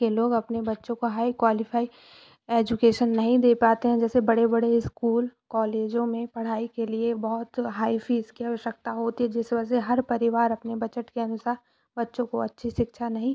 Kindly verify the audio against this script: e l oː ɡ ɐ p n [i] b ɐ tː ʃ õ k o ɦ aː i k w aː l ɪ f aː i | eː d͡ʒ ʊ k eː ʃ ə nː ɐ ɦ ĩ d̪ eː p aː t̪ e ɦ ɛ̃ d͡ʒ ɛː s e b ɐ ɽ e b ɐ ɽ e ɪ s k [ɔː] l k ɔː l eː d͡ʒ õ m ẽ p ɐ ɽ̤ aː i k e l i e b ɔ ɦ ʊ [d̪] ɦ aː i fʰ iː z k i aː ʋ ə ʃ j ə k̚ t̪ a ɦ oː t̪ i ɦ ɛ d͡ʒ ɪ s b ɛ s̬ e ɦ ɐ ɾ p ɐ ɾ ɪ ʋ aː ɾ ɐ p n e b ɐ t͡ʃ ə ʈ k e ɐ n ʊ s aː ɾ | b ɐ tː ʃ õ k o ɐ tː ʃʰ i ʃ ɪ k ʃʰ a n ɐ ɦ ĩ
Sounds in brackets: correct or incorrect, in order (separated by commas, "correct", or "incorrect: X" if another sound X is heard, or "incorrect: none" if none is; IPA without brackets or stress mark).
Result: incorrect: e, incorrect: uː, incorrect: t̪